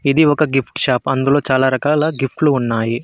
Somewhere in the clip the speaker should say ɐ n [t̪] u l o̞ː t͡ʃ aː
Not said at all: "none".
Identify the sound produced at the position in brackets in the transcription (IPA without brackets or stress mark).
d̪